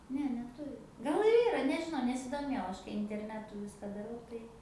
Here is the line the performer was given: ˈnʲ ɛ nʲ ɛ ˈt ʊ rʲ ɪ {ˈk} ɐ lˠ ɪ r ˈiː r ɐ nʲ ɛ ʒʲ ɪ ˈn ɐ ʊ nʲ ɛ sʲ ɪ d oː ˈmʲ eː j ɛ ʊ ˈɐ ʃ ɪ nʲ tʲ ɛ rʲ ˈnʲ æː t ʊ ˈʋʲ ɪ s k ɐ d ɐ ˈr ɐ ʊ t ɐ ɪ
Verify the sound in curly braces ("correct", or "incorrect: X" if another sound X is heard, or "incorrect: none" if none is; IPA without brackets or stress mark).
incorrect: ɡ